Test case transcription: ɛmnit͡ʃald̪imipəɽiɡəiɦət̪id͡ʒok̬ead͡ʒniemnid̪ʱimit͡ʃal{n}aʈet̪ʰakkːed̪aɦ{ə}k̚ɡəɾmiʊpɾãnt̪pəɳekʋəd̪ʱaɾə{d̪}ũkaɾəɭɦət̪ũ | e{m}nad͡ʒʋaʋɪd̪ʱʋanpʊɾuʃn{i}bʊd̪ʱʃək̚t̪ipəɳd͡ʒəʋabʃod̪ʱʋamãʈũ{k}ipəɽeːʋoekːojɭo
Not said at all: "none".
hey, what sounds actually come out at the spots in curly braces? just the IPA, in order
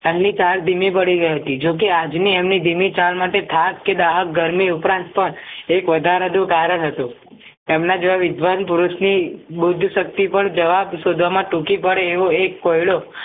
m, ə, d̪, m, i, k

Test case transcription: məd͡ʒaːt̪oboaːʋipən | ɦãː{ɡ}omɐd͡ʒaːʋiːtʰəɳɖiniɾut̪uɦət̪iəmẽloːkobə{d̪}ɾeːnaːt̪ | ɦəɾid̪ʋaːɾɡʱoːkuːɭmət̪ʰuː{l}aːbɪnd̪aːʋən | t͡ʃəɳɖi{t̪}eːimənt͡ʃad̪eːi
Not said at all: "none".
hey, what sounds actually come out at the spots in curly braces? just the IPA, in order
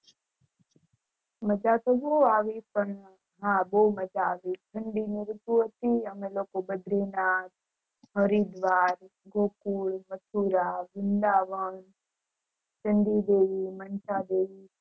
b, d̪, ɾ, d̪

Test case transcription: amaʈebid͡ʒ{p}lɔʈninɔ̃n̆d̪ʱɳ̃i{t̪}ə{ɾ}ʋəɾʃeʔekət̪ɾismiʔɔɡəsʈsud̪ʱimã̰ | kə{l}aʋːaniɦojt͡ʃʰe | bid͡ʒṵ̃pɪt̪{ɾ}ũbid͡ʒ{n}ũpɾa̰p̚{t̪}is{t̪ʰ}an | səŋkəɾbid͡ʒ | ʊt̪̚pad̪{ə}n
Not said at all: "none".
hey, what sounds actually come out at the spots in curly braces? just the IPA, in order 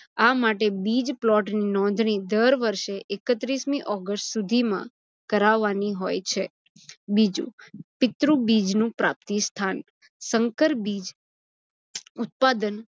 p, d̪, ɾ, ɾ, ɾ, n, t̪, t̪ʰ, ə

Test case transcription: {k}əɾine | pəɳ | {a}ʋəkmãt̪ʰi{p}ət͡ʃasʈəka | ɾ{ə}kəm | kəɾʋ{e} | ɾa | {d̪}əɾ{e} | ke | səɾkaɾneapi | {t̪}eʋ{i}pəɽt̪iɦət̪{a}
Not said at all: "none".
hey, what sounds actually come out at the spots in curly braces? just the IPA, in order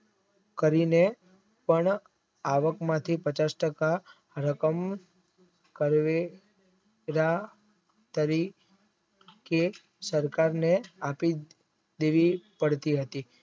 k, a, p, ə, e, t̪, i, d̪, i, i

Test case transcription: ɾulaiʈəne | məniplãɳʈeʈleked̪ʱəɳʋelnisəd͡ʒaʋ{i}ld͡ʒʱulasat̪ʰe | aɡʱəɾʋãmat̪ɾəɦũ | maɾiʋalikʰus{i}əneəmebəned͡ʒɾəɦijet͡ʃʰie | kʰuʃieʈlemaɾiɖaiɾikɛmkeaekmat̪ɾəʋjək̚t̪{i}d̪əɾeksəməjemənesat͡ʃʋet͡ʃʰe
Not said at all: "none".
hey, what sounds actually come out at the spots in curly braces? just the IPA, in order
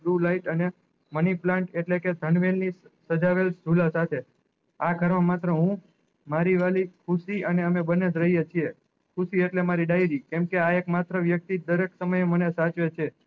e, i, i

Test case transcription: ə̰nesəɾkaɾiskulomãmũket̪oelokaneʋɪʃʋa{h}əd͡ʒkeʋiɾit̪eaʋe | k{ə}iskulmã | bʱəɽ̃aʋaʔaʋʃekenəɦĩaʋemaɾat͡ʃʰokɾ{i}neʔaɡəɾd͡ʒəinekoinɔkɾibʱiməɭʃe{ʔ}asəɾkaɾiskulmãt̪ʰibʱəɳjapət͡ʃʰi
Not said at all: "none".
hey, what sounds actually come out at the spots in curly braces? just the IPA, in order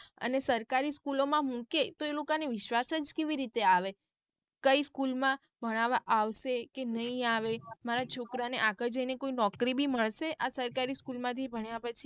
s, ə, a, ʔ

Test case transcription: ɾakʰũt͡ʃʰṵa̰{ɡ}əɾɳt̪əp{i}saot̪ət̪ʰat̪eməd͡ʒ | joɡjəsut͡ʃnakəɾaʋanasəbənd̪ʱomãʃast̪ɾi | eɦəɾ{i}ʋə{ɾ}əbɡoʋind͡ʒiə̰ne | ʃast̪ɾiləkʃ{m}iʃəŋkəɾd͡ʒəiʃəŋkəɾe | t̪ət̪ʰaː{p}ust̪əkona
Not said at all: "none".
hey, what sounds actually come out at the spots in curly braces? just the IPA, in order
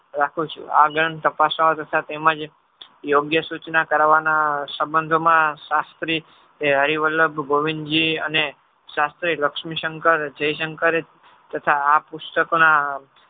ɡ, a, i, l, m, p

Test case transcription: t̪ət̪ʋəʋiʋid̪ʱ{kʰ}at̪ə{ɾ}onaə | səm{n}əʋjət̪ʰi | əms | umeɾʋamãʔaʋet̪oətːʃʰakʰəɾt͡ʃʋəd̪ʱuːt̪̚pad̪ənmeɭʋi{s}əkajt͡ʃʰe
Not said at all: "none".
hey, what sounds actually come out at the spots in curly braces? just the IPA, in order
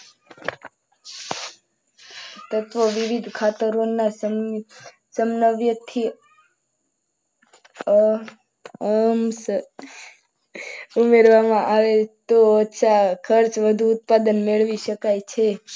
kʰ, ɾ, n, ʃ

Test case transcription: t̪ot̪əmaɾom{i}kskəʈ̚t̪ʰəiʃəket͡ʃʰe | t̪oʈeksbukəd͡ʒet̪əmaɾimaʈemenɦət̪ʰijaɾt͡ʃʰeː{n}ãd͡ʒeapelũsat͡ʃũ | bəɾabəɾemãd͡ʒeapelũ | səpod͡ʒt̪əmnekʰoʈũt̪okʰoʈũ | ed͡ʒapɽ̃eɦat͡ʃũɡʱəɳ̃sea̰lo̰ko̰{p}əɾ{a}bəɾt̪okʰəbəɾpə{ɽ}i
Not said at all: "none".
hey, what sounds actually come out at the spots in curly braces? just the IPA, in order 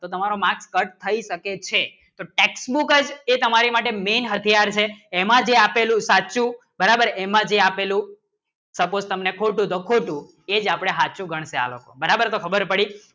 a, m, b, a, ɽ

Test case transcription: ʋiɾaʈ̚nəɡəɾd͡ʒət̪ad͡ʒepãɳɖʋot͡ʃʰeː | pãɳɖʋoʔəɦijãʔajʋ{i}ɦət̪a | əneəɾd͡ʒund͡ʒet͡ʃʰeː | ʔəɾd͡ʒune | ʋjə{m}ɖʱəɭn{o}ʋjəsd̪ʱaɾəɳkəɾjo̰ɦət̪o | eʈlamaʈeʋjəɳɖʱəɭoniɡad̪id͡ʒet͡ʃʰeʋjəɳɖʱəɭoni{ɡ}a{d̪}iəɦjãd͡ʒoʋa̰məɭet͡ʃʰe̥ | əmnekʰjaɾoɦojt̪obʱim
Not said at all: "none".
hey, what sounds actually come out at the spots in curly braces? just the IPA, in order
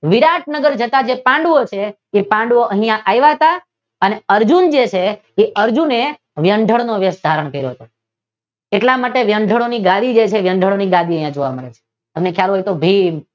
a, ɳ, o, ɡ, d̪

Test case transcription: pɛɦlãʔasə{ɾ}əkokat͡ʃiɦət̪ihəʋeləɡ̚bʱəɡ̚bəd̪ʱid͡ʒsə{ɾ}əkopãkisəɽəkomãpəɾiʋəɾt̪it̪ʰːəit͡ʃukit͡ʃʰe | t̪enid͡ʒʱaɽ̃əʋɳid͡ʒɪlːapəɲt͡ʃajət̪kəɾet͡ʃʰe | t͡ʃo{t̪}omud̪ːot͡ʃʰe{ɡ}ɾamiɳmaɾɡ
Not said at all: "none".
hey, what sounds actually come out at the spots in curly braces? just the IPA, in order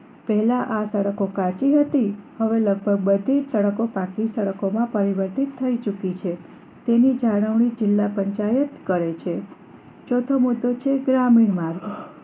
ɽ, ɽ, t̪ʰ, ɡ

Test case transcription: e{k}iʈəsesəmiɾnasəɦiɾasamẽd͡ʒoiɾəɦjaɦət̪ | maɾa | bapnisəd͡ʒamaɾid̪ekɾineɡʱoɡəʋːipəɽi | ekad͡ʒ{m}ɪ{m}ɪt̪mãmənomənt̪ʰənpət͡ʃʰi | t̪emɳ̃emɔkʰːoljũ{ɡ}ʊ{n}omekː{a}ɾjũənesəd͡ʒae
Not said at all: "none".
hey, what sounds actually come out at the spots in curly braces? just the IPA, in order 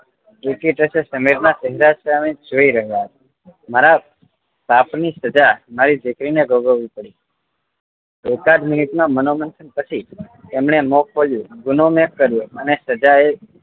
k, m, n, ɡ, n, ə

